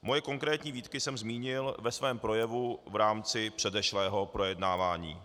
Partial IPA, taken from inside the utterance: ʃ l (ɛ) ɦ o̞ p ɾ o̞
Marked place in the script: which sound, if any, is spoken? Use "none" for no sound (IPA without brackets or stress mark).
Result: ɛː